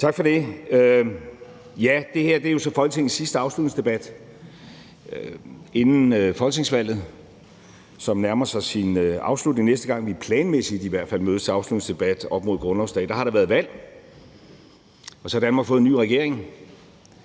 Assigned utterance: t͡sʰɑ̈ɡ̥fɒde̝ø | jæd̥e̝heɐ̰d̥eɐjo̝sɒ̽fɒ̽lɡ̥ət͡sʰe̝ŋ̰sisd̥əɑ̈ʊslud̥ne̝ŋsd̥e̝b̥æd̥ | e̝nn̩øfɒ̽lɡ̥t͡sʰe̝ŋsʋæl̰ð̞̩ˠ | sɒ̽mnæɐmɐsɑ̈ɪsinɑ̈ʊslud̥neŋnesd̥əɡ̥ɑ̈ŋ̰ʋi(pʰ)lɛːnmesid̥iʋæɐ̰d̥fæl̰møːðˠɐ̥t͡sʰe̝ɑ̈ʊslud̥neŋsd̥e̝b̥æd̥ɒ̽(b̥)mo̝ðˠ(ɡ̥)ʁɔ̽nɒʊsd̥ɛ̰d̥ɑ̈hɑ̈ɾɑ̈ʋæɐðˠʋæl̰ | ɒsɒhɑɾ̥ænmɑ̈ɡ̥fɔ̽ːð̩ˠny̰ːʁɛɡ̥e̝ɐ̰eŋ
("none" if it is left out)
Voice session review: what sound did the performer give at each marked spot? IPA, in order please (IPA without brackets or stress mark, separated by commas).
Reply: pʰ, b̥, ɡ̥